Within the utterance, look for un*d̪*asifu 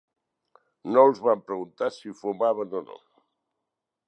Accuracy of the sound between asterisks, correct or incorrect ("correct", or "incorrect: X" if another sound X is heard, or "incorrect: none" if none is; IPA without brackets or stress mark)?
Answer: incorrect: t̪